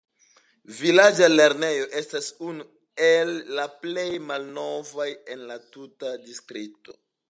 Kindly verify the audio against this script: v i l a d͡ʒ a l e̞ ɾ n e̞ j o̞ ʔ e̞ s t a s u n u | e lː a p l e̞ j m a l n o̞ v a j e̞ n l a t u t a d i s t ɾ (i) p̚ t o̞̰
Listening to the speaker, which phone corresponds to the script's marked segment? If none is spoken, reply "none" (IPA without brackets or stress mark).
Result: i